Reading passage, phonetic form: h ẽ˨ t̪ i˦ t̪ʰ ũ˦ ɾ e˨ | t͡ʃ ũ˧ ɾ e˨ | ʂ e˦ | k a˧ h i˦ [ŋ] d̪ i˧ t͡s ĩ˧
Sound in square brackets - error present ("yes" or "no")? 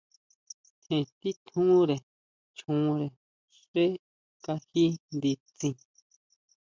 yes